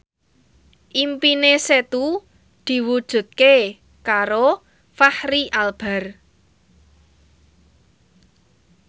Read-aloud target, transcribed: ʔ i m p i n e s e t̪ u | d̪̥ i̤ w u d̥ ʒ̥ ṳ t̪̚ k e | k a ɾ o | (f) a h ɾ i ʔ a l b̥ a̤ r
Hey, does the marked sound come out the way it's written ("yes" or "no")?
yes